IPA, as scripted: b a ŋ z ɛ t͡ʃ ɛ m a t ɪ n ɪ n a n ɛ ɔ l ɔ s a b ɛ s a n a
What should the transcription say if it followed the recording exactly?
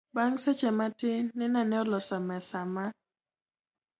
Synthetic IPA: b a ŋ s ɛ t͡ʃ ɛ m a t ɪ n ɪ n a n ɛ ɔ l ɔ s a m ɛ s a m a